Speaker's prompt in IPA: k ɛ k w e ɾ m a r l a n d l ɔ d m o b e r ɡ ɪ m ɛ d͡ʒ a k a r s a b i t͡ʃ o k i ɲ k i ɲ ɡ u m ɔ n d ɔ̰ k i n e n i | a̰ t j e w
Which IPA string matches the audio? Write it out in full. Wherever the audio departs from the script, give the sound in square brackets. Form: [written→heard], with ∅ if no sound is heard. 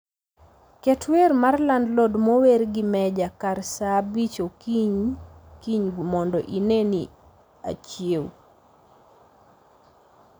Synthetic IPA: k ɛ [k→t] w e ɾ m a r l a n d l ɔ d m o [b→w] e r ɡ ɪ m ɛ d͡ʒ a k a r s a b i t͡ʃ o k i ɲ k i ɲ ɡ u m ɔ n d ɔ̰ [k→ʔ] i n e n i | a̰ [t→t͡ʃ] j e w